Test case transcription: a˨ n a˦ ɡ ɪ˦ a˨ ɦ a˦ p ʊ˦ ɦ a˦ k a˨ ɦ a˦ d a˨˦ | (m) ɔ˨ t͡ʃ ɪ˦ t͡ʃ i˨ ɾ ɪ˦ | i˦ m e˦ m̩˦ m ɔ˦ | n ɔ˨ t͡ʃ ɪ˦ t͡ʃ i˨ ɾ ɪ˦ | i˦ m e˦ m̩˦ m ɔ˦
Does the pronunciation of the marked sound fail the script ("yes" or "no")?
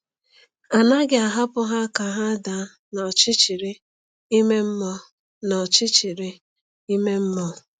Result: yes